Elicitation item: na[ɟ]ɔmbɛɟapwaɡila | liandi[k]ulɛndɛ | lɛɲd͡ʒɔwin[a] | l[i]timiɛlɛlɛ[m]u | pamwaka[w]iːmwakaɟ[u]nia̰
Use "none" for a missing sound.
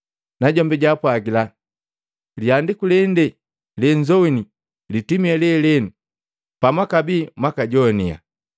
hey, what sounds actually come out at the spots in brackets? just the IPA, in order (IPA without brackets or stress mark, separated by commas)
ɟ, k, i, i, n, b, ɔ